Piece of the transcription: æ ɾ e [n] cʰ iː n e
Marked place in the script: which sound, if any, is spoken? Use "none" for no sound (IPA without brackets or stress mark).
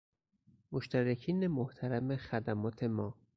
none